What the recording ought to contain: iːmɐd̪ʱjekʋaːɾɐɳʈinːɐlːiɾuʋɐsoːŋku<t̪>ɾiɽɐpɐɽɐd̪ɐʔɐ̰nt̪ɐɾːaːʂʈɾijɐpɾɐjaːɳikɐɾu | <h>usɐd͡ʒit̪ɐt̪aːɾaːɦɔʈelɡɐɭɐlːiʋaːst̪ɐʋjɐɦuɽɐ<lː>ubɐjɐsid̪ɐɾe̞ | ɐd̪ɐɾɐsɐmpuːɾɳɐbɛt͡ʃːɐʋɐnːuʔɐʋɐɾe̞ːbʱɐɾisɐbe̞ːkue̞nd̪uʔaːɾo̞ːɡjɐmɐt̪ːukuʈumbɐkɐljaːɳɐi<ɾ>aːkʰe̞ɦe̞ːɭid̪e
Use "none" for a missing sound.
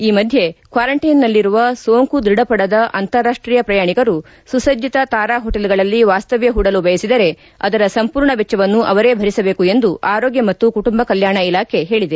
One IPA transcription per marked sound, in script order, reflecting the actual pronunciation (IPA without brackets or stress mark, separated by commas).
d̪, s, l, l